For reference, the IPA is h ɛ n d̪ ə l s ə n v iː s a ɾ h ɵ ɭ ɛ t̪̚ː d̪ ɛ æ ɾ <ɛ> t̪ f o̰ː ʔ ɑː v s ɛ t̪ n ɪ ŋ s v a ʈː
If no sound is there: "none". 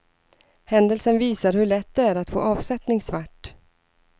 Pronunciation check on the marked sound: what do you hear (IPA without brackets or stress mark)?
a